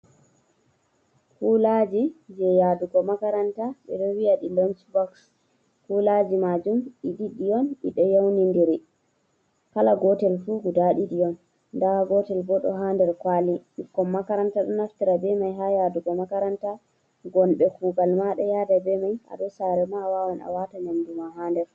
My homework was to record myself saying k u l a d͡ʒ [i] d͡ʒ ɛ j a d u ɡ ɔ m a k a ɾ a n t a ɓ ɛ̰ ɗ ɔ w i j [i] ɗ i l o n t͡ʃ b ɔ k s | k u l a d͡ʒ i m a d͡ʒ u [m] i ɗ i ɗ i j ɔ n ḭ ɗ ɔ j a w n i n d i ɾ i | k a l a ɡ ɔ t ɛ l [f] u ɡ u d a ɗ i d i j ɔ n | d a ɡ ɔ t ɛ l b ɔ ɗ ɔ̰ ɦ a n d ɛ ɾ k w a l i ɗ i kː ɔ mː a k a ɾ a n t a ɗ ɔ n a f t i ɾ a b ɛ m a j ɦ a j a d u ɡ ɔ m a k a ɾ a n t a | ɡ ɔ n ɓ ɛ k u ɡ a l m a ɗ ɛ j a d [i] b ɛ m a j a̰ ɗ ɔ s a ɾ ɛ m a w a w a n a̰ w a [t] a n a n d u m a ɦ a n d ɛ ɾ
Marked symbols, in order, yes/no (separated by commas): yes, no, yes, yes, no, yes